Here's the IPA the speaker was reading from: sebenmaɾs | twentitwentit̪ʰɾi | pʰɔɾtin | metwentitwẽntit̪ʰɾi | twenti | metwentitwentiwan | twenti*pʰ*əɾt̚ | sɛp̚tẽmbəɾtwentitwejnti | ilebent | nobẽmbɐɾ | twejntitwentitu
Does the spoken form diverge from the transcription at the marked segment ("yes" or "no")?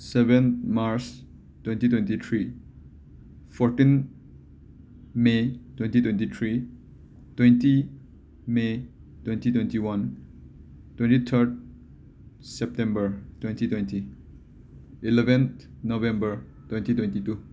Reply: yes